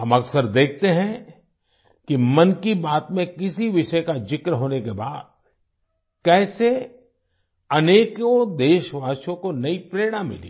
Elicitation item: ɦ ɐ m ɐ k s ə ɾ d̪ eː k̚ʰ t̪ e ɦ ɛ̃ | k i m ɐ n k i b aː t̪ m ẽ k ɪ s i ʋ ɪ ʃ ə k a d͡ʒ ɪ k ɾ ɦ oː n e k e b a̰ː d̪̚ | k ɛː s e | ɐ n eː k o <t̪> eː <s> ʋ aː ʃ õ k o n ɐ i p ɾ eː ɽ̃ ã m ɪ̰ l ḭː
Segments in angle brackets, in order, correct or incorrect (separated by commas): incorrect, incorrect